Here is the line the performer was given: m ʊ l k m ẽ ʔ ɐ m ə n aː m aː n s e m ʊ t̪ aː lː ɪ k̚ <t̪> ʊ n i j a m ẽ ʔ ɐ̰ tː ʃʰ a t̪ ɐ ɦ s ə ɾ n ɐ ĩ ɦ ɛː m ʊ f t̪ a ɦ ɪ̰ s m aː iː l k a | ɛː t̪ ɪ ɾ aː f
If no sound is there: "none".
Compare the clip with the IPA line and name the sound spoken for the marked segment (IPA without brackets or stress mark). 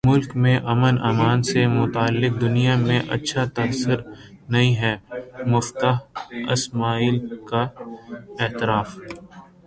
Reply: d̪